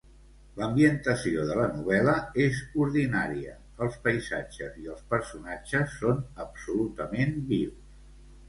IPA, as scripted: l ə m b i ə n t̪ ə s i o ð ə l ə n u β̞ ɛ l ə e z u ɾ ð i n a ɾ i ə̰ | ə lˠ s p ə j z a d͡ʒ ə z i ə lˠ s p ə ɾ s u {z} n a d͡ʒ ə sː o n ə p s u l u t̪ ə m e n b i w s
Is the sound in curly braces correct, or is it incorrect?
incorrect: none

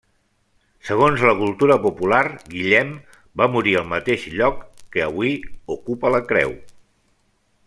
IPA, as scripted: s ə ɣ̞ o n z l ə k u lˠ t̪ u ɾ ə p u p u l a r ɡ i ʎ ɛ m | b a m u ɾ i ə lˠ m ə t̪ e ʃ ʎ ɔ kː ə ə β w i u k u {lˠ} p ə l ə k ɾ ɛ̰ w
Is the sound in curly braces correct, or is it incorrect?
incorrect: none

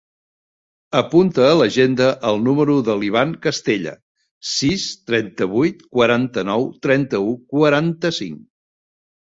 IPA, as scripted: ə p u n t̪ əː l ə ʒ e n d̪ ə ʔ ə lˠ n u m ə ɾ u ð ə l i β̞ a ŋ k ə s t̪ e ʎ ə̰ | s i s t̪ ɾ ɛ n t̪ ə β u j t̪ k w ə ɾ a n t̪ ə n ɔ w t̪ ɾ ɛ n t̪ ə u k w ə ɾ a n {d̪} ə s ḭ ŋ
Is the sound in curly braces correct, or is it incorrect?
incorrect: t̪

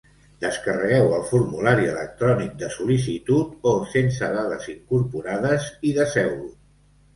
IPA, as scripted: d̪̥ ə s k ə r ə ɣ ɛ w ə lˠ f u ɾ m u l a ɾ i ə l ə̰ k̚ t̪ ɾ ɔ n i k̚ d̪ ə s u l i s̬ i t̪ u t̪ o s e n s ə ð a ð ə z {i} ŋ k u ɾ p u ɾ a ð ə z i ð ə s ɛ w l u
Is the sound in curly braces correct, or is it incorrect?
correct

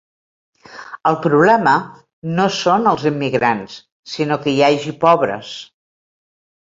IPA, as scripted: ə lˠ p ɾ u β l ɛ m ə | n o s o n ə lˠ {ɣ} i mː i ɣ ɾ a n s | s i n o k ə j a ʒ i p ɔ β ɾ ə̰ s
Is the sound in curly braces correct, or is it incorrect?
incorrect: z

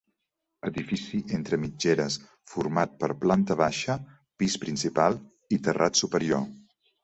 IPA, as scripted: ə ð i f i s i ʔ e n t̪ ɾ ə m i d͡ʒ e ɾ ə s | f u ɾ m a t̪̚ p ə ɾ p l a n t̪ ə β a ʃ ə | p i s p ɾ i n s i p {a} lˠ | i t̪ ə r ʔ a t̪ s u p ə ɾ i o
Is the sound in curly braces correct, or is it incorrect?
correct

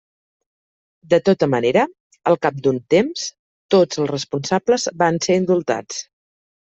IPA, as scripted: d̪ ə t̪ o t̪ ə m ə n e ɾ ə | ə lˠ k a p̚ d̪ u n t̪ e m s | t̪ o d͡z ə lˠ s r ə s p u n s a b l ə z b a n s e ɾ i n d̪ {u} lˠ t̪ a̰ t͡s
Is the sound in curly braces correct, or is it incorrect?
correct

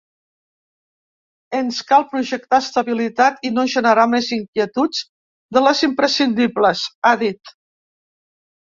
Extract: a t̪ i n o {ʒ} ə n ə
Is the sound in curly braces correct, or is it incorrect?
correct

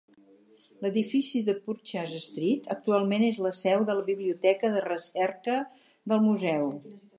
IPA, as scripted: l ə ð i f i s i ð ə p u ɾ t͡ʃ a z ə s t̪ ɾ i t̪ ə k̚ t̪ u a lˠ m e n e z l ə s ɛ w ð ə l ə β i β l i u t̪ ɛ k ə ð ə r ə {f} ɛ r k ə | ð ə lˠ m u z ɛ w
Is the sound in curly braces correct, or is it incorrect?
incorrect: s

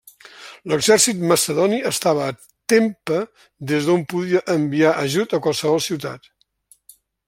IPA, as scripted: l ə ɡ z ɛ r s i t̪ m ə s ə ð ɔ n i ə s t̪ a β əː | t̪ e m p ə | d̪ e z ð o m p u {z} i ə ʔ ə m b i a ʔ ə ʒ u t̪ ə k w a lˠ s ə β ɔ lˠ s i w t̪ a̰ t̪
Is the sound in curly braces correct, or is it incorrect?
incorrect: ð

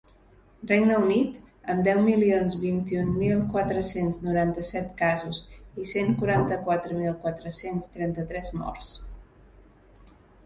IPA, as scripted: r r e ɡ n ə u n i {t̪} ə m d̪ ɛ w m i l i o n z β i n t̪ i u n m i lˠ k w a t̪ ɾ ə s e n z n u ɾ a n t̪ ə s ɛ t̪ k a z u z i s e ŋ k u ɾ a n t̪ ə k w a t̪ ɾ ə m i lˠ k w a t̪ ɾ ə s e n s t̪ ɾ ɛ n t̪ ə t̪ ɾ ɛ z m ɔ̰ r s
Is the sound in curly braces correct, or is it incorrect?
correct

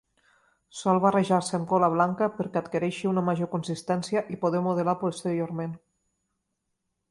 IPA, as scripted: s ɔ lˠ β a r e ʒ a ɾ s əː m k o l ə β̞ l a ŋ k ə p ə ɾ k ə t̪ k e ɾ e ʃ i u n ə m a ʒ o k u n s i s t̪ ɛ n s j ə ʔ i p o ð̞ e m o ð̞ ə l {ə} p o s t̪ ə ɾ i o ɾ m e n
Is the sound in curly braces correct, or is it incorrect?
incorrect: a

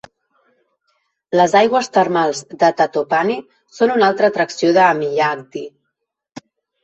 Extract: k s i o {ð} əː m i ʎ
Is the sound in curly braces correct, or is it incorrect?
correct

